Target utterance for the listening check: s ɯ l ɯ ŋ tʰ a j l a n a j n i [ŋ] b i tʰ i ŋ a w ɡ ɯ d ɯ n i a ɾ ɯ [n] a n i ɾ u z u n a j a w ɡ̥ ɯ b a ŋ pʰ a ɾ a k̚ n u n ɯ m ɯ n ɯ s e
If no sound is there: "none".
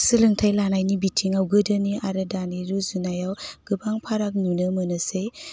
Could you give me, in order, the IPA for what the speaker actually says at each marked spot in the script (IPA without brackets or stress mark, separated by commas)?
none, d